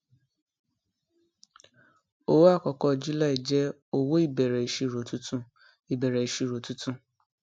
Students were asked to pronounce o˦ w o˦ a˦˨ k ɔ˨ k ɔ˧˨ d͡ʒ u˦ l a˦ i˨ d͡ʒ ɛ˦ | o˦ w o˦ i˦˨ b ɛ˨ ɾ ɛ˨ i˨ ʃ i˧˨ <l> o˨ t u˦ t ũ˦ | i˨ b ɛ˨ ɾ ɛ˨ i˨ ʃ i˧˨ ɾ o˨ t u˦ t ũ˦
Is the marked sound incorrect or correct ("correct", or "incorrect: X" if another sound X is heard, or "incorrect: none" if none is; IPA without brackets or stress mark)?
incorrect: ɾ